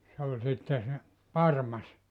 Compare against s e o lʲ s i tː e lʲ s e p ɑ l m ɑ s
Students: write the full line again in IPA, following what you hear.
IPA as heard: s e o lʲ s i tː e s e p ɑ r m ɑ s